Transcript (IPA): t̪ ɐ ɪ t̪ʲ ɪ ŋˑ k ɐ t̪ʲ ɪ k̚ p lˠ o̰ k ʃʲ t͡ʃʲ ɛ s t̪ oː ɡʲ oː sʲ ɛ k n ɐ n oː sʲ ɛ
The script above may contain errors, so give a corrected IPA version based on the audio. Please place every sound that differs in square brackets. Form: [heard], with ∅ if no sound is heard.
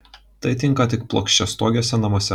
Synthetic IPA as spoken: t̪ ɐ ɪ t̪ʲ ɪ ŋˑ k ɐ t̪ʲ ɪ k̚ p lˠ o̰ k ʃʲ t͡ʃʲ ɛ s t̪ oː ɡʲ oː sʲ ɛ [∅] n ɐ [m] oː sʲ ɛ